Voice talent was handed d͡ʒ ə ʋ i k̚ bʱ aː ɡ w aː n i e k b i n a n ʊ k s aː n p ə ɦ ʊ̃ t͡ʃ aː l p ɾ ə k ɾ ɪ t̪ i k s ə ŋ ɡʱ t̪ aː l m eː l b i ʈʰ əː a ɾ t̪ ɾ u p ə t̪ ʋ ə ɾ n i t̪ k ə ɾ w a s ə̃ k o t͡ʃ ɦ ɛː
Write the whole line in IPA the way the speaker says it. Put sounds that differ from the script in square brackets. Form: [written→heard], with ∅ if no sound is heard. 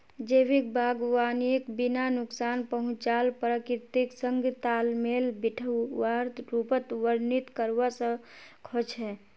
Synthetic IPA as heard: d͡ʒ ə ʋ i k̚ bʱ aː ɡ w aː n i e k b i n a n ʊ k s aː n p ə ɦ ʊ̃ t͡ʃ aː l p ɾ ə k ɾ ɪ t̪ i k s ə ŋ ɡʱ t̪ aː l m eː l b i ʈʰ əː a ɾ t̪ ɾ u p ə t̪ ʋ ə ɾ n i t̪ k ə ɾ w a s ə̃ [k→kʰ] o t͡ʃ ɦ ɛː